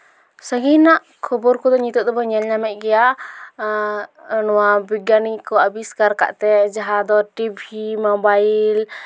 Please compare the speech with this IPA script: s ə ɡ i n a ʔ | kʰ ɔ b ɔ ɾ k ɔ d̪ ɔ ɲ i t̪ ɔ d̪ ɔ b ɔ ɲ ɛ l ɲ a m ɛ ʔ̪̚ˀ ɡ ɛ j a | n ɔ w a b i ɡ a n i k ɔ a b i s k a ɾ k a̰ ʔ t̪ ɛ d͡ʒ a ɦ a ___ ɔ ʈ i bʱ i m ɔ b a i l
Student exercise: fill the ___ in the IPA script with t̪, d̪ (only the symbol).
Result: d̪